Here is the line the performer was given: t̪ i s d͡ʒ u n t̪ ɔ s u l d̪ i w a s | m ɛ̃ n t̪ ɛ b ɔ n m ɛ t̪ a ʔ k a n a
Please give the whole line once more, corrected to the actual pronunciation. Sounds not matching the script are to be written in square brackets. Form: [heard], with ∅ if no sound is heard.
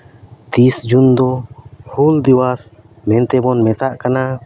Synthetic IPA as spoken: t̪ i s d͡ʒ u n [d̪] ɔ [h] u l d̪ i w a s | m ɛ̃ n t̪ ɛ b ɔ n m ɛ t̪ a ʔ k a n a